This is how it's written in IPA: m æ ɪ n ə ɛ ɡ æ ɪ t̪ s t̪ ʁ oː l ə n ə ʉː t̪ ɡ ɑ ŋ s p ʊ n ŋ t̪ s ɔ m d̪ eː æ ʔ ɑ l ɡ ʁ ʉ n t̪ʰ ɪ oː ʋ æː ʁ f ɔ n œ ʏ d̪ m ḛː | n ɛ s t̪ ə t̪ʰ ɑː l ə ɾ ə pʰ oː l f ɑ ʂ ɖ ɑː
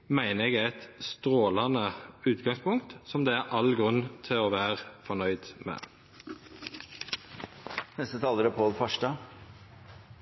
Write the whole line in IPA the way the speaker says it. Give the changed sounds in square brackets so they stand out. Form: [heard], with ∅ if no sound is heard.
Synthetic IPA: m æ ɪ n ə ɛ ɡ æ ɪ t̪ s t̪ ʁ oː l [ɑ] n ə ʉː t̪ ɡ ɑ ŋ s p ʊ [∅] ŋ t̪ s ɔ m d̪ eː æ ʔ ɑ l ɡ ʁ ʉ n t̪ʰ ɪ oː ʋ æː ʁ f ɔ n œ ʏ d̪ m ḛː | n ɛ s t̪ ə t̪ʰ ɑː l ə ɾ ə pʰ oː l f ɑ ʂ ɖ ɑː